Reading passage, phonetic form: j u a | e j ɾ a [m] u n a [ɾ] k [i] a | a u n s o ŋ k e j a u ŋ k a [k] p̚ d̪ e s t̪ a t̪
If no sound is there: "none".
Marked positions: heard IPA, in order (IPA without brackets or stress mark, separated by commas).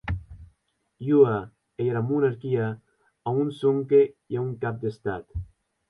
m, ɾ, i, none